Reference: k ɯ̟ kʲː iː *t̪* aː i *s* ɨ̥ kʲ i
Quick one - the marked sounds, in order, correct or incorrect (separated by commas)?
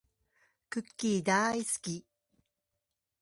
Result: incorrect, correct